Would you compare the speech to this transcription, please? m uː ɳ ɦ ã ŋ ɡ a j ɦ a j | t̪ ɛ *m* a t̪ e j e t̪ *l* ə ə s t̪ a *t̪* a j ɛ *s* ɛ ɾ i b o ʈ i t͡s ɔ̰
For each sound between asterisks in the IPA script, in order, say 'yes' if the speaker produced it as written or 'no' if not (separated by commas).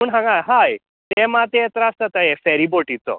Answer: yes, no, yes, no